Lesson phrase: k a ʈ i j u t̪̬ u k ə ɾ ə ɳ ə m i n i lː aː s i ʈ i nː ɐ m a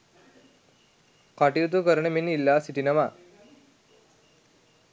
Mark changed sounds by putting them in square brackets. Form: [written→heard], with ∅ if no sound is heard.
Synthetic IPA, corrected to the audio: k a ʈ i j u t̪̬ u k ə ɾ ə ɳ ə m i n i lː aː s i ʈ i [nː→n] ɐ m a